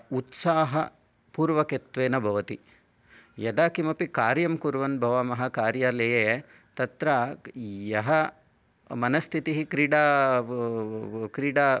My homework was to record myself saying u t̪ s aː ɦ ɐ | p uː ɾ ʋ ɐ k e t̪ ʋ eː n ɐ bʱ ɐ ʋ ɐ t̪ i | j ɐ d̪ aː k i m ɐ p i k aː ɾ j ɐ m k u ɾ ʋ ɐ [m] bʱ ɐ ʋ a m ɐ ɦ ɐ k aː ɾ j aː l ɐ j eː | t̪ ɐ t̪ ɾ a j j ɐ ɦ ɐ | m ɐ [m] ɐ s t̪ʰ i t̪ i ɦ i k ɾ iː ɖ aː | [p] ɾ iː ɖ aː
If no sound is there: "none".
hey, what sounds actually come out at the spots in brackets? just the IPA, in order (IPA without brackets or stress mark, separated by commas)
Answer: n, n, k